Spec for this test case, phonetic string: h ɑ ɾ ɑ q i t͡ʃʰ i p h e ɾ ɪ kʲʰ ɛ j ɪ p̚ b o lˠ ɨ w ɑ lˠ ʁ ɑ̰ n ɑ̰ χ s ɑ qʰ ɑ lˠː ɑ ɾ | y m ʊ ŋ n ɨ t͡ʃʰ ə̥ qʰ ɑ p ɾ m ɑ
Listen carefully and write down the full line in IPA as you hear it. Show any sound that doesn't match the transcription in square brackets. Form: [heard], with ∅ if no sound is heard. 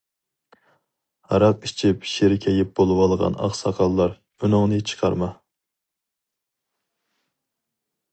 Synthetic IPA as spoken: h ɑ ɾ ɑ q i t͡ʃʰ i p [ʃ] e ɾ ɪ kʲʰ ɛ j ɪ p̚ b o lˠ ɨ w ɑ lˠ ʁ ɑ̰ n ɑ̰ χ s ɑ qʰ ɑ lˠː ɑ ɾ | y [n] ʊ ŋ n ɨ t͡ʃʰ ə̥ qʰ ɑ [∅] ɾ m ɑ